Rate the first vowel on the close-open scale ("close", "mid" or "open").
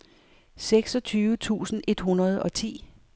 mid